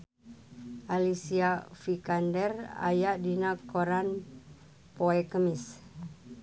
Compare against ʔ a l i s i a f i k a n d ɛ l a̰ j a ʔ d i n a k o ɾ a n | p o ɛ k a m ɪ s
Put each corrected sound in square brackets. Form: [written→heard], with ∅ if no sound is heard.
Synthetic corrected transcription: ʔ a l i s i a f i k a n d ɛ [l→r] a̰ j a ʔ d i n a k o ɾ a n | p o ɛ k [a→ə] m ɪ s